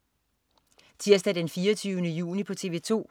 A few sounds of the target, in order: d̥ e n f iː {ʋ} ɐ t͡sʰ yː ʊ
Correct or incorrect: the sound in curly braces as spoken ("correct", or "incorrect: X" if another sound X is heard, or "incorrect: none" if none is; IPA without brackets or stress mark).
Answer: incorrect: none